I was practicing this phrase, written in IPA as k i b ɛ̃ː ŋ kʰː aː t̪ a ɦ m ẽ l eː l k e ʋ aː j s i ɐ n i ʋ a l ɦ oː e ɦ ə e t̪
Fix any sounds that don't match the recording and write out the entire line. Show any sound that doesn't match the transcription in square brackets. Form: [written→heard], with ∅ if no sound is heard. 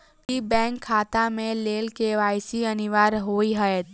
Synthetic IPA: k i b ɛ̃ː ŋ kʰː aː t̪ a [ɦ→∅] m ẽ l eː l k e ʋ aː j s i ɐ n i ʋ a [l→ɾ] ɦ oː [e→i] ɦ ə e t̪

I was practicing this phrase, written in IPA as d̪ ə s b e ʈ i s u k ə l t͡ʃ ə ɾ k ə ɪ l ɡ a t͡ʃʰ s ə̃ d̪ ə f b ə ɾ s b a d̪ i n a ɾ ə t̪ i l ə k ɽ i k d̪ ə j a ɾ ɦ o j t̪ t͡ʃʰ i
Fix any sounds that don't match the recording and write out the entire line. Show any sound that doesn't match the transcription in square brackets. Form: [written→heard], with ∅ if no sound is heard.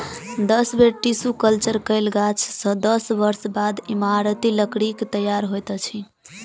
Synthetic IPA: d̪ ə s b e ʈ i s u k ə l t͡ʃ ə ɾ k ə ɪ l ɡ a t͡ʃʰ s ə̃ d̪ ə [f→s] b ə ɾ s b a d̪ i [n→m] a ɾ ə t̪ i l ə k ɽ i k [d̪→t̪] ə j a ɾ ɦ o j t̪ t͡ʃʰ i

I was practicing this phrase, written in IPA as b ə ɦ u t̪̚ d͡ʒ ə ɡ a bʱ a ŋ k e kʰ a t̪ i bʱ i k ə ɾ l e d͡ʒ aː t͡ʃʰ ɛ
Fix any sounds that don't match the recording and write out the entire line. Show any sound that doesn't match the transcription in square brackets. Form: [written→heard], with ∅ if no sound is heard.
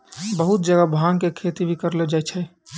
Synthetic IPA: b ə ɦ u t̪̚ d͡ʒ ə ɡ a bʱ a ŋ k e kʰ [a→e] t̪ i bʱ i k ə ɾ l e d͡ʒ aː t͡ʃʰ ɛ

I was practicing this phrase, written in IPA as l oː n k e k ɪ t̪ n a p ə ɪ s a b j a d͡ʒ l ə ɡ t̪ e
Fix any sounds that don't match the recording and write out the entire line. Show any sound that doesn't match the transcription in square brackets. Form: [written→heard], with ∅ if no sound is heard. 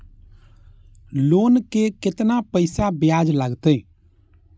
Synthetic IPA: l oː n k e k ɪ t̪ n a p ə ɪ s a b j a d͡ʒ l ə ɡ t̪ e

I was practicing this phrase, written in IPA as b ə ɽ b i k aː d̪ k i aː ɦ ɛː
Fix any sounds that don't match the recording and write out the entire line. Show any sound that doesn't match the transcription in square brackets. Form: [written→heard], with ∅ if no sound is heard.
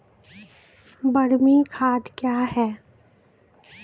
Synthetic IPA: b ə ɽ [b→m] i [k→kʰ] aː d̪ k [i→j] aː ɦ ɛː

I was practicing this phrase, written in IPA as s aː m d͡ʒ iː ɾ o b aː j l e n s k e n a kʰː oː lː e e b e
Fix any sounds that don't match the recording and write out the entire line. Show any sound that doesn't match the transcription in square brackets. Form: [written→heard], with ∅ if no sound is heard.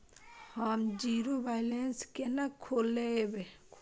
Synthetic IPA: [s→h] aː m d͡ʒ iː ɾ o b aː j l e n s k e n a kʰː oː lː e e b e

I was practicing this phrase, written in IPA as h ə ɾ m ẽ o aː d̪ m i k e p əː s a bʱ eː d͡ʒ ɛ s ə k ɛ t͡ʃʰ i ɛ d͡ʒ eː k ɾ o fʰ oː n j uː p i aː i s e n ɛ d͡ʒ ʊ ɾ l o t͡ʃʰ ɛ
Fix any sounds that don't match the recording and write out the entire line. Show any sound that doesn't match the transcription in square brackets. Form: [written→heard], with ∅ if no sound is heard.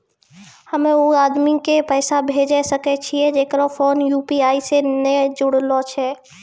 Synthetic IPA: h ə [ɾ→∅] m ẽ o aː d̪ m i k e p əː s a bʱ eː d͡ʒ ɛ s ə k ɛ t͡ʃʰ i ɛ d͡ʒ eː k ɾ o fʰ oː n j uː p i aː i s e n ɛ d͡ʒ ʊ [ɾ→ɽ] l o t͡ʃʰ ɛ

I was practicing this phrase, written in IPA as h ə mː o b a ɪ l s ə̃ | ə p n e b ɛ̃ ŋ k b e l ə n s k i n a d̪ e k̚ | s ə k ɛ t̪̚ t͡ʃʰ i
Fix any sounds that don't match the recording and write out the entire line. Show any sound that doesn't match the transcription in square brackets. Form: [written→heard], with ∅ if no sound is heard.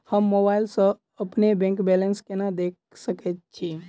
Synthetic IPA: h ə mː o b a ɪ l s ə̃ | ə p n e b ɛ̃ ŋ k b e l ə n s k [i→e] n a d̪ e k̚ | s ə k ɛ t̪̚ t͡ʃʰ i

